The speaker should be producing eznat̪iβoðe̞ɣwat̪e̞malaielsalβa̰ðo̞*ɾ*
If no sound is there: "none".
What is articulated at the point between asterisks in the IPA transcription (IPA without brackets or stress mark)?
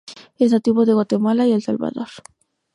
ɾ